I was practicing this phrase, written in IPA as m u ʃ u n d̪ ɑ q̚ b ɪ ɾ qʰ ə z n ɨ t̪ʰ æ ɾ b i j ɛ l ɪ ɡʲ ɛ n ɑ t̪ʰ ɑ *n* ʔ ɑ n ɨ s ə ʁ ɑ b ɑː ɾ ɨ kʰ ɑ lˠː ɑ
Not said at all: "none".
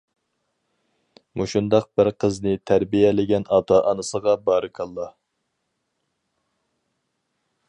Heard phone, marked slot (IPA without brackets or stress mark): none